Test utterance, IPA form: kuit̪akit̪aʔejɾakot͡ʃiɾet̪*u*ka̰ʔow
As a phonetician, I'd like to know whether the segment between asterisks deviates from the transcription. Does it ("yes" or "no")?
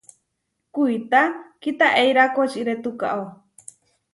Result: no